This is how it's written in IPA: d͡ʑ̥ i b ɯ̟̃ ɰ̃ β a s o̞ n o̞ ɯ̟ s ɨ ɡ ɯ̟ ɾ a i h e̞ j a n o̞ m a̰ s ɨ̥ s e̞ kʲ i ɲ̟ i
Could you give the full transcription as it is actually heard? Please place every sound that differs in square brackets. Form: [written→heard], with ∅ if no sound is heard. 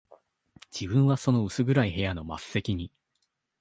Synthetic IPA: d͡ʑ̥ i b ɯ̟̃ ɰ̃ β a s o̞ n o̞ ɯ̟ s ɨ ɡ ɯ̟ ɾ a i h e̞ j a n o̞ m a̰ s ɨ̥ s e̞ kʲ i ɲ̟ i